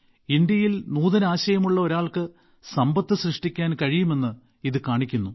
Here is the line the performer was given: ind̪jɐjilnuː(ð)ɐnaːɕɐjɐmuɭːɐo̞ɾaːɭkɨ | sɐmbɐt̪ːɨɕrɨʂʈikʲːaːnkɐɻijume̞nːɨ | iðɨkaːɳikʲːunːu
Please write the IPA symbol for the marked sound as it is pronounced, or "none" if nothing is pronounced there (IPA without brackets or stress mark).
ð